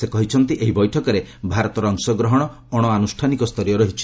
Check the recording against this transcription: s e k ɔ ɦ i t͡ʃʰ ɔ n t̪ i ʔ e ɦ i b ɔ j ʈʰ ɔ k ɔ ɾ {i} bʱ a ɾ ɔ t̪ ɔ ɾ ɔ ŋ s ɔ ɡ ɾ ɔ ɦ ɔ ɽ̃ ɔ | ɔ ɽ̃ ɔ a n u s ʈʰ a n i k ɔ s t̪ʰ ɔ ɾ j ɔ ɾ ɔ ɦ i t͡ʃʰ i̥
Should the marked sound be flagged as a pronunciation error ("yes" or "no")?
yes